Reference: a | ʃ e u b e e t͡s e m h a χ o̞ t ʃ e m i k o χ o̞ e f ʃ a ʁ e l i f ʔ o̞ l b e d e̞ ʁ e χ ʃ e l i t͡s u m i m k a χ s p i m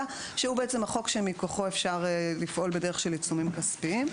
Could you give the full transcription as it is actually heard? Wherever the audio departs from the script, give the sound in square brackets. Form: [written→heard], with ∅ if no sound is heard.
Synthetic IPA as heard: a | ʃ e u b e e t͡s e m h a χ o̞ [t→k] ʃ e m i k o χ o̞ e f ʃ a ʁ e l i f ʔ o̞ l b e d e̞ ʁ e χ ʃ e l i t͡s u m i m k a [χ→∅] s p i m